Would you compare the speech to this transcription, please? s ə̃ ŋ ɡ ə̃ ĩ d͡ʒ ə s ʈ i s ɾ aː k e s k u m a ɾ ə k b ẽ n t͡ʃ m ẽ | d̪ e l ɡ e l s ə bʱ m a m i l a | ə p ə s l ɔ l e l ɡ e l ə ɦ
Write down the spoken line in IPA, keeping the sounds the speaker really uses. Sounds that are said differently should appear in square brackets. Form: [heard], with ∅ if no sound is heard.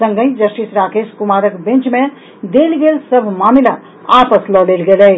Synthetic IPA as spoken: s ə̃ ŋ ɡ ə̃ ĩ d͡ʒ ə s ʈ i s ɾ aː k e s k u m a ɾ ə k b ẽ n t͡ʃ m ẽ | d̪ e l ɡ e l s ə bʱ m a m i l a | [a] p ə s l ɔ l e l ɡ e l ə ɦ